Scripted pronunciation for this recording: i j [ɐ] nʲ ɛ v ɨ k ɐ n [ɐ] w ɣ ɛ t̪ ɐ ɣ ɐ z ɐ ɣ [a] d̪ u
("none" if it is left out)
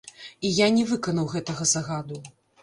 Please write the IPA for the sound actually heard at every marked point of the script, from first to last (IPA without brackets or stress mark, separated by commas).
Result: a, ɐ, a